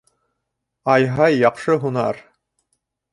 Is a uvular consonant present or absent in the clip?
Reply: present